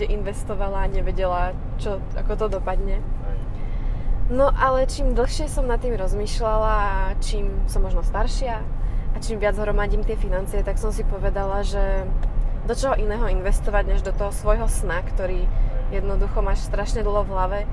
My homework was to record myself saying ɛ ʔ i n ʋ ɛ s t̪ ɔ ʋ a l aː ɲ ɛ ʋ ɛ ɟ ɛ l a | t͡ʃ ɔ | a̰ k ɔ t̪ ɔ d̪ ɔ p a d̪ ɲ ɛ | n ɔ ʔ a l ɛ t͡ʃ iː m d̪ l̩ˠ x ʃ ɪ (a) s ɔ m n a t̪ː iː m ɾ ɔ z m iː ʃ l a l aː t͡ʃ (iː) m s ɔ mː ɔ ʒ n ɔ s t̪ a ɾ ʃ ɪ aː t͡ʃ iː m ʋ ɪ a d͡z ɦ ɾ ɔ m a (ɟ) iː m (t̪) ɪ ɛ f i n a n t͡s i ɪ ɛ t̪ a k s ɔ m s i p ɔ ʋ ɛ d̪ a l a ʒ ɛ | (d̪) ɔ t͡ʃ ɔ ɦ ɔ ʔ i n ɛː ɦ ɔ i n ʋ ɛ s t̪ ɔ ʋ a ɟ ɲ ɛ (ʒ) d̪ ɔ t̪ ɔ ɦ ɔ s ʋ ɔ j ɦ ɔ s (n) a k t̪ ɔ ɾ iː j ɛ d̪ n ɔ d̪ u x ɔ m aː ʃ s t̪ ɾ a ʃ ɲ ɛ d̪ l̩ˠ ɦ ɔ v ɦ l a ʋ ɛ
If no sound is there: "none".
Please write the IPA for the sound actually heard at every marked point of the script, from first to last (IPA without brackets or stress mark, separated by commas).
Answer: ɛ, iː, ɟ, t̪, d̪, ʒ, n